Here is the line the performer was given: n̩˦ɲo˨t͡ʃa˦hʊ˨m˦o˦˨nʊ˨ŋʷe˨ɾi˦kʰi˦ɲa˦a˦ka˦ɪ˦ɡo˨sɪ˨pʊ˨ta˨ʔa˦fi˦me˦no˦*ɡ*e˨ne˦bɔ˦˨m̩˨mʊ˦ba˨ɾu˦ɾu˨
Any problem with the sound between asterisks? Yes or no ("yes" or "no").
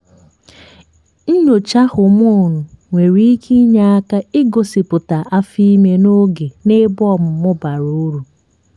no